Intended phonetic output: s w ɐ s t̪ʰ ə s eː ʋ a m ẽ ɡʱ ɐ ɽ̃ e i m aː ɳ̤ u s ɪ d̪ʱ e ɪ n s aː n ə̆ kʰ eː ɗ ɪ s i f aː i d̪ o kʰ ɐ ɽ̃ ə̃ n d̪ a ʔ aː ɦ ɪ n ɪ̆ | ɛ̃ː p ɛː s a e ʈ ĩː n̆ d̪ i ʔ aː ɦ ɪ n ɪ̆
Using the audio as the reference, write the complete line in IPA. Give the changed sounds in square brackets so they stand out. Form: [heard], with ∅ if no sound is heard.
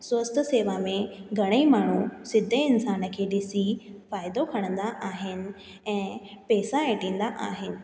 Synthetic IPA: s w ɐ s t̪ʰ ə s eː ʋ a m ẽ ɡʱ ɐ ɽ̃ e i m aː ɳ̤ u s ɪ d̪ʱ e ɪ n s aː n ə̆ kʰ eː ɗ ɪ s i f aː [ɪ] d̪ o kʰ ɐ ɽ̃ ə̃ n d̪ a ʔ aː ɦ ɪ n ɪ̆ | ɛ̃ː p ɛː s a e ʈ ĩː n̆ d̪ [a] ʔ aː ɦ ɪ n ɪ̆